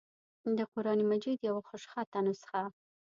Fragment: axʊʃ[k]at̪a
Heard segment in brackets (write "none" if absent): x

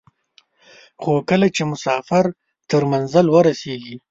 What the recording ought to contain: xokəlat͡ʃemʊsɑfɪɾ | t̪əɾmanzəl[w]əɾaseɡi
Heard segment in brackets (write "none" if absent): w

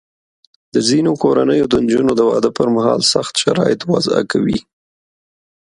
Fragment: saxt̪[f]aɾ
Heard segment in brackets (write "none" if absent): ʃ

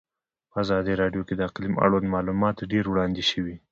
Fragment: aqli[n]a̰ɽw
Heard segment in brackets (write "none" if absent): m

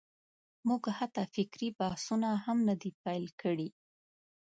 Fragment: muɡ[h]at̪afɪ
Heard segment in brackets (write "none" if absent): h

